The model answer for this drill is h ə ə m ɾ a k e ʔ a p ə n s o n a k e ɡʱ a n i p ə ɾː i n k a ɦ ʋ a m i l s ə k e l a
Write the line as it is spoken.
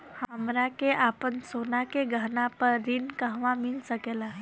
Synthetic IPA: h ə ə m ɾ a k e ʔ a p ə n s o n a k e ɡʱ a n a p ə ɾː i n k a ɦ ʋ a m i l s ə k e l a